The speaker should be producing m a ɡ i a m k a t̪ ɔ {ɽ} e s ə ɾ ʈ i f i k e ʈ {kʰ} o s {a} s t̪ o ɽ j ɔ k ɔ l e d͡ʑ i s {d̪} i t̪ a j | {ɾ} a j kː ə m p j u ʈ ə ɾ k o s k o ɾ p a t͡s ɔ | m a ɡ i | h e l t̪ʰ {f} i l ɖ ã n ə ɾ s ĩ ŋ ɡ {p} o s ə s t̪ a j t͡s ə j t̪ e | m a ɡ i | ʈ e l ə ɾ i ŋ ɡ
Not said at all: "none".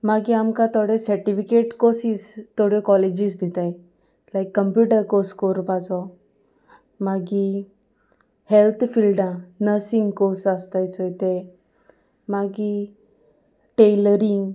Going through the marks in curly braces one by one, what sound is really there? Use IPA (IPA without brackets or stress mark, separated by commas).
ɽ, k, i, d̪, l, f, k